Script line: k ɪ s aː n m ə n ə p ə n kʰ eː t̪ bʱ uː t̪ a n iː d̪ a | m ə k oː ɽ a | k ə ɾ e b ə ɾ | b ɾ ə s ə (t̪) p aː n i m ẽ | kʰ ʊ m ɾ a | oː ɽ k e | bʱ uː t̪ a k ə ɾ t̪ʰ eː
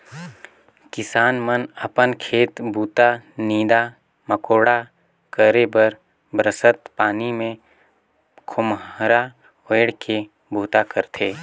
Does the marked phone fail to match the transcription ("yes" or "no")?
no